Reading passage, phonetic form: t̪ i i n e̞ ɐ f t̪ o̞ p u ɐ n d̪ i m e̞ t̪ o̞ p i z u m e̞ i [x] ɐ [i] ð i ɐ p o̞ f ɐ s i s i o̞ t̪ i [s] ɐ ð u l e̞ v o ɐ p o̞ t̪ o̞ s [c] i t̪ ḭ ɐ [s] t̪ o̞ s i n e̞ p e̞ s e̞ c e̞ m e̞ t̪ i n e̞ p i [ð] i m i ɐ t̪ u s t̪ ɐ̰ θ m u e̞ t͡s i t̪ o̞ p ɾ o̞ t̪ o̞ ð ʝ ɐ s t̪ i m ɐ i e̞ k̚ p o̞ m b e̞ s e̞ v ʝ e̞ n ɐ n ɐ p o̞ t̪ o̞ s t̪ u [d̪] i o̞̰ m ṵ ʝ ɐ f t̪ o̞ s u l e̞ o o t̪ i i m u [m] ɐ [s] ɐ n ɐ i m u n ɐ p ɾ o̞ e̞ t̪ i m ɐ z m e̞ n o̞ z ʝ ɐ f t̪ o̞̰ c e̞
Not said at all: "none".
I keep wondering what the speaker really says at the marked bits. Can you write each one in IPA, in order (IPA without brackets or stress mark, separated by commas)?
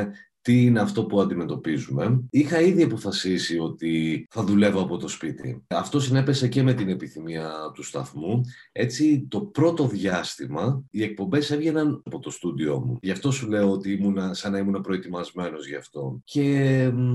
x, i, θ, p, f, θ, d̪, n, s